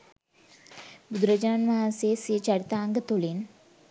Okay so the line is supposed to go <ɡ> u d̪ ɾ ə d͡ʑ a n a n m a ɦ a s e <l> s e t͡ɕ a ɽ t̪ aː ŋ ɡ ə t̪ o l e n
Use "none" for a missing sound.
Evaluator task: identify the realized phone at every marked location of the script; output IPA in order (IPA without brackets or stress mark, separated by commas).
b, none